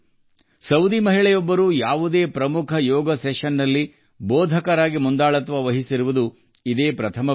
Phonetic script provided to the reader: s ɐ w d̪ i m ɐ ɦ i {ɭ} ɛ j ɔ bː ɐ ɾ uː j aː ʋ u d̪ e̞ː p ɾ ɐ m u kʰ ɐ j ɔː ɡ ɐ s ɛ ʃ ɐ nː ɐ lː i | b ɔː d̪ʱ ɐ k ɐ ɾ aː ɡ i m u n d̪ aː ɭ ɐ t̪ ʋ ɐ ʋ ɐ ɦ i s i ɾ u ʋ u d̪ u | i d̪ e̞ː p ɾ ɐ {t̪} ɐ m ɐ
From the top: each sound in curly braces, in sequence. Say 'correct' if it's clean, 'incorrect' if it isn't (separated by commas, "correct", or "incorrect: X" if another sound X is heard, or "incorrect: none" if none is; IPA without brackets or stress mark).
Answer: correct, incorrect: t̪ʰ